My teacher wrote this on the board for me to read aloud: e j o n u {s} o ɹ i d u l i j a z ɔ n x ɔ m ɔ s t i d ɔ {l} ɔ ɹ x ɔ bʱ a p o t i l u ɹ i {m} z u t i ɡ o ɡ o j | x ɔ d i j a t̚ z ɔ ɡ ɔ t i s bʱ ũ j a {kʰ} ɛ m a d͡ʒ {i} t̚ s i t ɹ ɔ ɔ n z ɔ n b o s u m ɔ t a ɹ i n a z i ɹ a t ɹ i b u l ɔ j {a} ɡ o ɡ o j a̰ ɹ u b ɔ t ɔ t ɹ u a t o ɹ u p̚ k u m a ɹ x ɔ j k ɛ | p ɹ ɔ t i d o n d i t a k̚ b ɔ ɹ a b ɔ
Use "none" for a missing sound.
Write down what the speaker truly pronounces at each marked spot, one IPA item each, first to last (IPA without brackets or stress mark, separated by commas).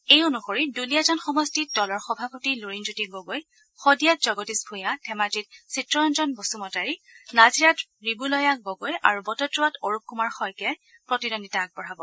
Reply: x, l, n, tʰ, i, a